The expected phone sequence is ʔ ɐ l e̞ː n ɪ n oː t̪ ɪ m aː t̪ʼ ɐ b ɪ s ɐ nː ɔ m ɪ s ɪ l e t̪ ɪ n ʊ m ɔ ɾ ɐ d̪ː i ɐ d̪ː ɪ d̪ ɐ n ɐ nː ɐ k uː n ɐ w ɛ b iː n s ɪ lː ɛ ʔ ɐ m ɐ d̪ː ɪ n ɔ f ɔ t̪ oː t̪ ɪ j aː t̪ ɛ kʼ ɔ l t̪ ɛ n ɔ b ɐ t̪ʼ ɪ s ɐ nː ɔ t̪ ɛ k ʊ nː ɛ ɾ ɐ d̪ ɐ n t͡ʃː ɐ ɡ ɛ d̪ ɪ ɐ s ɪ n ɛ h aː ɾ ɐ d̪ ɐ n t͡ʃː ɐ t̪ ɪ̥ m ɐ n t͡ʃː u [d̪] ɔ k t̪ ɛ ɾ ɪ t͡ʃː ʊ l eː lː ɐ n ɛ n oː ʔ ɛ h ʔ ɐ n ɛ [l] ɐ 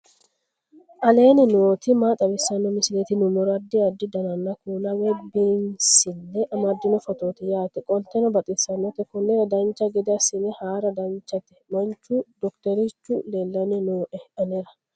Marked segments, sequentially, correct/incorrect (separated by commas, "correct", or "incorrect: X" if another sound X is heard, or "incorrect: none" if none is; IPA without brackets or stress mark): correct, incorrect: ɾ